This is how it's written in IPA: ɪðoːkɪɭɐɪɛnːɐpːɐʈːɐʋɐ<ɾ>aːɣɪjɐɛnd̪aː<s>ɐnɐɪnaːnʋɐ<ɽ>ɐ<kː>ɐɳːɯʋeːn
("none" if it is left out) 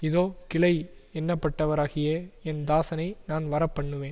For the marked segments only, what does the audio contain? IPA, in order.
ɾ, s, ɾ, pː

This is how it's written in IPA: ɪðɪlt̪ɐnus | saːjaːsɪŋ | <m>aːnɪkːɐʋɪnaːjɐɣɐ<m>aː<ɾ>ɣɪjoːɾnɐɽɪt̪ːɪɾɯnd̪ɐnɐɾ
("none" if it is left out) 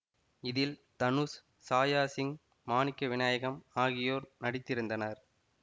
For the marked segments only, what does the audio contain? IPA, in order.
m, m, none

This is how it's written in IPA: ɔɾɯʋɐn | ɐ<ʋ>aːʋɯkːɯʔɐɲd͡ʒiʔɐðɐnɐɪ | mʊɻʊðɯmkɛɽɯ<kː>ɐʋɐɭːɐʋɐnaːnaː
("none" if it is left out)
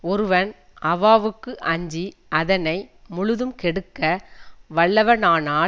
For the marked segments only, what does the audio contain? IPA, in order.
ʋ, kː

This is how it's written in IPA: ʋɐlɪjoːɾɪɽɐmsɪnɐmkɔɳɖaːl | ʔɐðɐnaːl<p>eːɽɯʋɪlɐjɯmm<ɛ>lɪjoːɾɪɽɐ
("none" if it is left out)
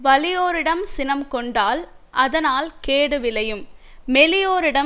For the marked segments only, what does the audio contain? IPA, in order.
k, ɛ

